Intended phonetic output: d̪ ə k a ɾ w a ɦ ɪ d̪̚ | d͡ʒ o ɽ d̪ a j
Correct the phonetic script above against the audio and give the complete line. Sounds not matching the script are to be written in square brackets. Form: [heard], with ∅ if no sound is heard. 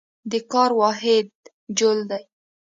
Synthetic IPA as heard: d̪ ə k [ɑ] ɾ w [ɑ] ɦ ɪ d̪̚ | d͡ʒ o [l] d̪ a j